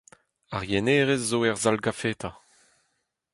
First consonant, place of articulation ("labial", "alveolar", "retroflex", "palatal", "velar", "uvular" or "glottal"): uvular